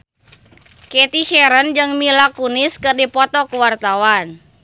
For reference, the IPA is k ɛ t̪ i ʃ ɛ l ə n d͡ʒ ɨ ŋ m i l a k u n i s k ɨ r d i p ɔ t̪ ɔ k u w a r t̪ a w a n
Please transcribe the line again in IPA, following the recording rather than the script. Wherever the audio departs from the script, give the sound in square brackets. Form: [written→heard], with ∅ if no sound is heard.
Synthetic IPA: k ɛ t̪ i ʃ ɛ [l→ɾ] ə n d͡ʒ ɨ ŋ m i l a k u n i s k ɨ r d i p ɔ t̪ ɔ k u w a r t̪ a w a n